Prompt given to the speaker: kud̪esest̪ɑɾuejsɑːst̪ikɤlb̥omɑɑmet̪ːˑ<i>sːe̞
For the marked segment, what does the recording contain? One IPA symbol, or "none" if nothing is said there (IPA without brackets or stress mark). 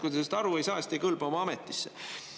i